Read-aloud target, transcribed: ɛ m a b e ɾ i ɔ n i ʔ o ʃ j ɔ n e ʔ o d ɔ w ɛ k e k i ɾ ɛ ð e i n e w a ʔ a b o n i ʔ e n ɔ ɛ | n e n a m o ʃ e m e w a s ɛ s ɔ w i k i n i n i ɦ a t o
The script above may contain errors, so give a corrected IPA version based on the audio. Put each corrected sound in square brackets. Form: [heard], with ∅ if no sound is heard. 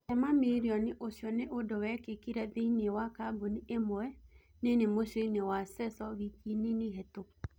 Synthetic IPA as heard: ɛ m a [m] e ɾ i ɔ n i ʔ o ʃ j ɔ n e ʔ o d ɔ w ɛ k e k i ɾ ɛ ð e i n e w a [k] a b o n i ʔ e [m] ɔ ɛ | n e n [e] m o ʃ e [n] e w a s ɛ s ɔ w i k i n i n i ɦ [ɛ] t o

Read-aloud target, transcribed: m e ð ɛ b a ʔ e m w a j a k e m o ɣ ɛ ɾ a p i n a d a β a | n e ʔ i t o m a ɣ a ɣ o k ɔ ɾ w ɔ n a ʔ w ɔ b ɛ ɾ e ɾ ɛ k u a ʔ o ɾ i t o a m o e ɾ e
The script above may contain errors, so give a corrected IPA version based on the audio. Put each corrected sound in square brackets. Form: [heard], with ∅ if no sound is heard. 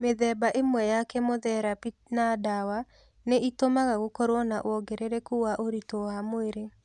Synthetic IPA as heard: m e ð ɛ b a ʔ e m w [ɛ] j a k [ɛ] m o [ð] ɛ ɾ a p i n a d a [w] a | n e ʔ i t o m a ɣ a ɣ o k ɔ ɾ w ɔ n a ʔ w ɔ [ɡ] ɛ ɾ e ɾ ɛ k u a ʔ o ɾ i t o a m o e ɾ e

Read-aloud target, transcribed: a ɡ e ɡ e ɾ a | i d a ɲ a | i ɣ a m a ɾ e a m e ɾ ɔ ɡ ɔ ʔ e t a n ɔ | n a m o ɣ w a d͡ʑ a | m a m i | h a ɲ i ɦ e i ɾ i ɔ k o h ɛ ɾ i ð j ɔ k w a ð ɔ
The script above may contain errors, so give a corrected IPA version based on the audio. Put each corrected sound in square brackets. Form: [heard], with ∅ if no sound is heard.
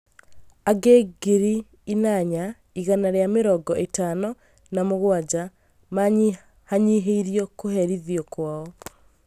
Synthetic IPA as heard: a ɡ e ɡ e ɾ [i] | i [n] a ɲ a | i ɣ a [n] a ɾ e a m e ɾ ɔ ɡ ɔ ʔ e t a n ɔ | n a m o ɣ w a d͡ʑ a | m a [ɲ] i | h a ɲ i ɦ e i ɾ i ɔ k o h ɛ ɾ i ð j ɔ k w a [∅] ɔ

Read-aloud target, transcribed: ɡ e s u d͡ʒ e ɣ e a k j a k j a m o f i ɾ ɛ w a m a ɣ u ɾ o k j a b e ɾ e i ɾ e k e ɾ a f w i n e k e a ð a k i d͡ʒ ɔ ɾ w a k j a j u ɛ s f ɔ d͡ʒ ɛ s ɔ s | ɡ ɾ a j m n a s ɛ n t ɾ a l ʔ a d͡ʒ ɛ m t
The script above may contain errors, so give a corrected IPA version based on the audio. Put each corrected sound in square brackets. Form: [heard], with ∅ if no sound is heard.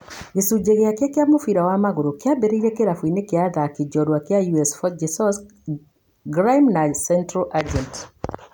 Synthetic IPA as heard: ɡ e s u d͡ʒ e ɣ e a k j a k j a m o f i ɾ [a] w a m a ɣ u ɾ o k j a b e ɾ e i ɾ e k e ɾ a f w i n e k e a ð a k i d͡ʒ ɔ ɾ w a k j a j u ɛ s f ɔ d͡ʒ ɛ s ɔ s | ɡ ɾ a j m n a s ɛ n t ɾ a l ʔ a d͡ʒ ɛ [n] t

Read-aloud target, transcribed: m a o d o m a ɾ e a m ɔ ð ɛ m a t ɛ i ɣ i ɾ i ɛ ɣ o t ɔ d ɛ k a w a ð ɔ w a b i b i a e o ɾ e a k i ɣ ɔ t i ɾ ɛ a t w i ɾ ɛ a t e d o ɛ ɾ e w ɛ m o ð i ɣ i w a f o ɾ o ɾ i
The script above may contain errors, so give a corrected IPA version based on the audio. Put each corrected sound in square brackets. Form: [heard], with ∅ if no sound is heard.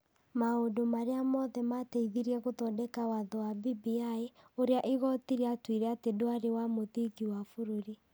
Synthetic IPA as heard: m a o d o m a ɾ e a m ɔ ð ɛ m a t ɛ i [ð] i ɾ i ɛ ɣ o t ɔ d ɛ k a w a ð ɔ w a b i b i a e o ɾ e a [ʔ] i ɣ ɔ t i ɾ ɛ a t w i ɾ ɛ a t e d o [a] ɾ e w [a] m o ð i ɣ i w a f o ɾ o ɾ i

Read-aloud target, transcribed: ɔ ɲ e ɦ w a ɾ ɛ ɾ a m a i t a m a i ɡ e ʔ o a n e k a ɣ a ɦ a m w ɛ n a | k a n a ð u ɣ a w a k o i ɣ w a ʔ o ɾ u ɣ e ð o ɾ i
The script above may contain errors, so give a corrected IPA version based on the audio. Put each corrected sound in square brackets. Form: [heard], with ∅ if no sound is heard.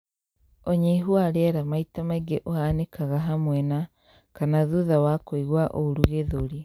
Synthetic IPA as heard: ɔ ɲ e ɦ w a ɾ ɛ ɾ a m a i t a m a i ɡ e ʔ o a n e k a ɣ a ɦ a m w ɛ n a | k a n a ð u [ð] a w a k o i ɣ w a ʔ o ɾ u ɣ e ð o ɾ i

